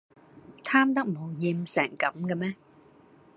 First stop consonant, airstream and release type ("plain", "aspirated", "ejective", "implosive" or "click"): aspirated